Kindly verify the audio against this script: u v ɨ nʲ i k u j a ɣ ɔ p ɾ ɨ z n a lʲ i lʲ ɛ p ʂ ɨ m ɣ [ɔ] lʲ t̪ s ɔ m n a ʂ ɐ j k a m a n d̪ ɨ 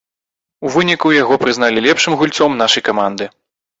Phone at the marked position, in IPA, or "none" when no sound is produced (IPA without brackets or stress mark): u